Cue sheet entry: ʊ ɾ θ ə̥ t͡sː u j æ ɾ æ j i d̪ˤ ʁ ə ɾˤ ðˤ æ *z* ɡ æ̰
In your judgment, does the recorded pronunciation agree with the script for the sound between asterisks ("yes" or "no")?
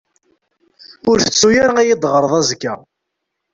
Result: yes